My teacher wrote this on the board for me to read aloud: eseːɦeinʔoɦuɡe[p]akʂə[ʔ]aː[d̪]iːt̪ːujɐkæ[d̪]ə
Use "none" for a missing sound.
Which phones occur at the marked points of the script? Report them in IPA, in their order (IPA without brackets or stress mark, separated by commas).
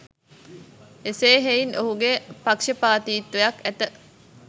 p, p, t̪, t̪